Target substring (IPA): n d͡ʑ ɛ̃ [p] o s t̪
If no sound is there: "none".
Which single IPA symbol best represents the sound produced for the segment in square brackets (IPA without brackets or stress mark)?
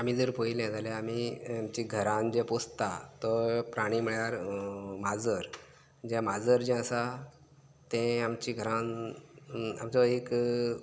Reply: p